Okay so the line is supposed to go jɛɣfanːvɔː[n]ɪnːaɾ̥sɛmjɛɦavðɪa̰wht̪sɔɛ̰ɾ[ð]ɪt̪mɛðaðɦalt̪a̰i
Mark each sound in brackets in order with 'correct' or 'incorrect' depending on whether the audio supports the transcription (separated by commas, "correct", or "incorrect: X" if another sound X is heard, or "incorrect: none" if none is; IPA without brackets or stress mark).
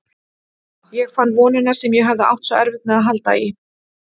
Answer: correct, incorrect: v